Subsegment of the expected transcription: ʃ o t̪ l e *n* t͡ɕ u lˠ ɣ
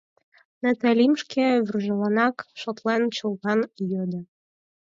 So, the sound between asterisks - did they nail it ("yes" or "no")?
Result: yes